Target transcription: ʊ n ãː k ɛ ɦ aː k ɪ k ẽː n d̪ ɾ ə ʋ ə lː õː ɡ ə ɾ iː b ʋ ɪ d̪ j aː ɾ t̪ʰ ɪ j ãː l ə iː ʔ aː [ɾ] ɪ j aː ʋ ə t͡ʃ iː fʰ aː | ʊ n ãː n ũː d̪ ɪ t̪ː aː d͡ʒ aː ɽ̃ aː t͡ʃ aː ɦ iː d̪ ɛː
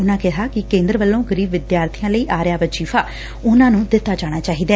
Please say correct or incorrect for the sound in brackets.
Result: correct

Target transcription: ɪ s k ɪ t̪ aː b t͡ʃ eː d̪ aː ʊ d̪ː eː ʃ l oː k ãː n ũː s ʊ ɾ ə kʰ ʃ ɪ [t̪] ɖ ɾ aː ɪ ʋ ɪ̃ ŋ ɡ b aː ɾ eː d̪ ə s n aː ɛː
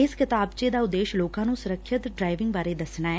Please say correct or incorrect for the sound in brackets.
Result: correct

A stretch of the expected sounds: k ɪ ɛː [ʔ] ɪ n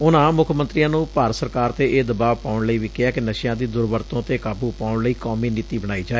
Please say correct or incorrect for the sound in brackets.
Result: incorrect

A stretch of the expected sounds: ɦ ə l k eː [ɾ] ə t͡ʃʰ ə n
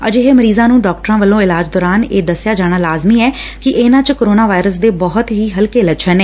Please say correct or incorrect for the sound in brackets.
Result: incorrect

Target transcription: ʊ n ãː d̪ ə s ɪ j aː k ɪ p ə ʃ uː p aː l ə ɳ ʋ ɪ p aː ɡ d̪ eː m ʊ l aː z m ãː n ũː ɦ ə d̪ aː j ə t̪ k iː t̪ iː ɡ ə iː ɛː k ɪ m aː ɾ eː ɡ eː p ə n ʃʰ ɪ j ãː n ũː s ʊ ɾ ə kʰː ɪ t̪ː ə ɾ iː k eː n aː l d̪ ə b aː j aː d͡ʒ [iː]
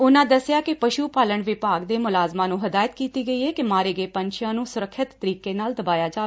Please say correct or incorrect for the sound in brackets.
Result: incorrect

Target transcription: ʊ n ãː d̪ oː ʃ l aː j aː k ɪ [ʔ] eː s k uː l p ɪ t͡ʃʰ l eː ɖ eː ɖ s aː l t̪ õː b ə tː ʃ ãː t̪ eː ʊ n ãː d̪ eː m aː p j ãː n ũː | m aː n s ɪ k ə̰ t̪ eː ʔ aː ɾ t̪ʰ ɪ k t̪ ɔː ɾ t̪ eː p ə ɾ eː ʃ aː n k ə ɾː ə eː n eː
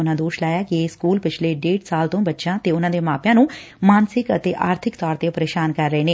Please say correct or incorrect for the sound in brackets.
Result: incorrect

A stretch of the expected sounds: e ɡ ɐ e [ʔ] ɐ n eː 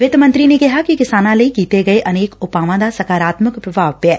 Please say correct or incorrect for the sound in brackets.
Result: correct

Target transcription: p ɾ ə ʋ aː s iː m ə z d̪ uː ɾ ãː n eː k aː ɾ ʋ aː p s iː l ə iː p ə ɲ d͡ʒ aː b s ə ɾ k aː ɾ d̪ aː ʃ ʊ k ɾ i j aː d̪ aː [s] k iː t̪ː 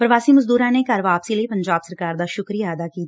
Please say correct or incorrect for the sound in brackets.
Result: incorrect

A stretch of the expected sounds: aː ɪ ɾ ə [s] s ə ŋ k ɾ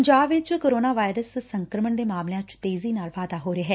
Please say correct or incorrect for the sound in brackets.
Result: correct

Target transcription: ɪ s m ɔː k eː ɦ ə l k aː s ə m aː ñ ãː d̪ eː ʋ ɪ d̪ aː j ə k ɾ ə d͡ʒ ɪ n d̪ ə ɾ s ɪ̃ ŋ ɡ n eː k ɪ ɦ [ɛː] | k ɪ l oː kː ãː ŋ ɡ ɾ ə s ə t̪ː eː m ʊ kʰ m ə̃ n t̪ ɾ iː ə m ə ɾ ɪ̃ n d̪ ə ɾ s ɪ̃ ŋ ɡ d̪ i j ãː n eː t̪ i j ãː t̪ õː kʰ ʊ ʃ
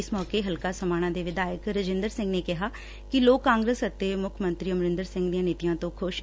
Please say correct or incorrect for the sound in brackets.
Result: incorrect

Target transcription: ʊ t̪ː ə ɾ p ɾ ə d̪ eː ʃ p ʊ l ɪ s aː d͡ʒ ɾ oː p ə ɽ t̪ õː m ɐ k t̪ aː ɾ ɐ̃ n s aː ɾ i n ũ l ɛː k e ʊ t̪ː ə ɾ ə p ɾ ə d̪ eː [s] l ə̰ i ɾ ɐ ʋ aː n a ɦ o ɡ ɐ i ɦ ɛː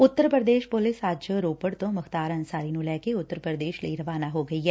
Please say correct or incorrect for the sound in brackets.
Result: incorrect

